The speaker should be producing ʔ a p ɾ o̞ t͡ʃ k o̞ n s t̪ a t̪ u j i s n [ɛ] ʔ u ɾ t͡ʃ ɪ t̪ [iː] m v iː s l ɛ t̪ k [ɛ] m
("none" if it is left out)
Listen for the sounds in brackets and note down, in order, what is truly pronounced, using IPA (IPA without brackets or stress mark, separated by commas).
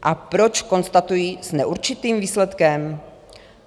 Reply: ɛ, iː, ɛ